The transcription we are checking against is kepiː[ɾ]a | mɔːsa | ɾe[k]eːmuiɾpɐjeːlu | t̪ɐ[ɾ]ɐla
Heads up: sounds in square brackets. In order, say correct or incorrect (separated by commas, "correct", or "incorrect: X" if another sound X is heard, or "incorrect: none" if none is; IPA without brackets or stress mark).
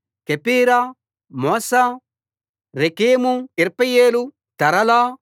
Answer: correct, correct, correct